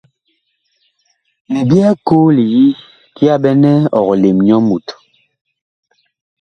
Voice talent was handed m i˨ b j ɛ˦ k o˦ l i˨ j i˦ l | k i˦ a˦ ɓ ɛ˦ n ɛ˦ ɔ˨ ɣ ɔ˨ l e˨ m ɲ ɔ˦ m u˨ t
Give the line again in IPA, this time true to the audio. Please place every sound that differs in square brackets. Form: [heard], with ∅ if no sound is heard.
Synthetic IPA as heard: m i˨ b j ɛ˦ k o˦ l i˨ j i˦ [∅] | k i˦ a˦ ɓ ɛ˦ n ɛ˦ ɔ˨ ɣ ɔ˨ l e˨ m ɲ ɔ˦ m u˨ t